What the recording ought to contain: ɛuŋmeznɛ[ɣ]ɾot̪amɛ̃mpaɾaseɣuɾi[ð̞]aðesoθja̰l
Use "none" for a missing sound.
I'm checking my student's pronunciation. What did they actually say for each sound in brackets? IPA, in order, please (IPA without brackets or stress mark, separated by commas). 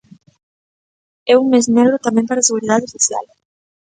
ɣ, ð̞